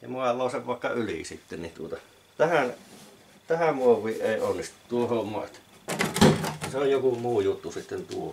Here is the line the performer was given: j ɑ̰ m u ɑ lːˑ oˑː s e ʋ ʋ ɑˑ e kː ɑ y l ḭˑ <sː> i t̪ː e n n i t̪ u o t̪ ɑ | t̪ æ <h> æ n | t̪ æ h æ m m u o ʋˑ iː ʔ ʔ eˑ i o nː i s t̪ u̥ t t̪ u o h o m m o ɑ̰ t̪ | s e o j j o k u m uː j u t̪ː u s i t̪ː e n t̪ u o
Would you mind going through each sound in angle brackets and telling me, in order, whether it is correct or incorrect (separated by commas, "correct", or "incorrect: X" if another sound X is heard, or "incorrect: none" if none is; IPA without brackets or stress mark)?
incorrect: s, correct